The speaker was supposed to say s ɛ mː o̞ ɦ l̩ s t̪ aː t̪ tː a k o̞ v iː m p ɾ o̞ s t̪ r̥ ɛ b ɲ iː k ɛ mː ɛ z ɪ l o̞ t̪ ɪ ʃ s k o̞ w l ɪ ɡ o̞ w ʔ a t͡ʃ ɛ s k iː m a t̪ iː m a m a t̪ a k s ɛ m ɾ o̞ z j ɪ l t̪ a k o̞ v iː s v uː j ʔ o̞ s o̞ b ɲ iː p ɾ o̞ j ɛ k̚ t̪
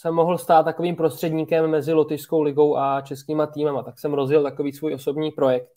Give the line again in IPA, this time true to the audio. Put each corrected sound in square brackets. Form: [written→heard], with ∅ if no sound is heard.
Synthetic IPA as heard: s ɛ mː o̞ ɦ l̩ s t̪ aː t̪ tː a k o̞ v iː m p ɾ o̞ s t̪ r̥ ɛ [b→d] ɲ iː k ɛ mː ɛ z ɪ l o̞ t̪ ɪ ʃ s k o̞ w l ɪ ɡ o̞ w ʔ a t͡ʃ ɛ s k iː m a t̪ iː m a m a t̪ a k s ɛ m ɾ o̞ z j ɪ l t̪ a k o̞ v iː s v uː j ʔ o̞ s o̞ b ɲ iː p ɾ o̞ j ɛ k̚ t̪